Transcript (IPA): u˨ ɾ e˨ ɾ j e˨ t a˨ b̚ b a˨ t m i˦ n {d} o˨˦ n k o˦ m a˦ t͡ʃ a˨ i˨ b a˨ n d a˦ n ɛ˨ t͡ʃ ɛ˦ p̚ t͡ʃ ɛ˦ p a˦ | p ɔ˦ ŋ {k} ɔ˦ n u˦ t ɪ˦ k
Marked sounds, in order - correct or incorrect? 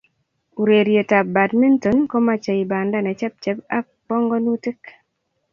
incorrect: t, incorrect: ɡ

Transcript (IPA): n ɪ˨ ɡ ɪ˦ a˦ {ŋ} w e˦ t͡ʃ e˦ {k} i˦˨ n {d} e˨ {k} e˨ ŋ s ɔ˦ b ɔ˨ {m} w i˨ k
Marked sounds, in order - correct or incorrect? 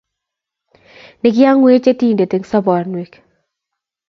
correct, incorrect: t, correct, incorrect: t, incorrect: n

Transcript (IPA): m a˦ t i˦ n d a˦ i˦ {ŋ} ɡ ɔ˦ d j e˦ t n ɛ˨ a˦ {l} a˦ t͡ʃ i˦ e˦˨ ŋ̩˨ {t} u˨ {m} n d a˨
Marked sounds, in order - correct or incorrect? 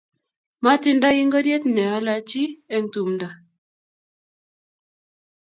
correct, correct, correct, correct

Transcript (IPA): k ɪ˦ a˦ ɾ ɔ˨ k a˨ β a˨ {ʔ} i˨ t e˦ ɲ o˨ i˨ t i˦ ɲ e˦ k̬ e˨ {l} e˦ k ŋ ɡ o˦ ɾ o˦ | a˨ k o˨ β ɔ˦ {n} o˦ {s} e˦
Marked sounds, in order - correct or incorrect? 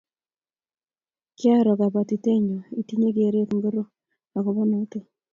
incorrect: t, incorrect: ɾ, correct, incorrect: t

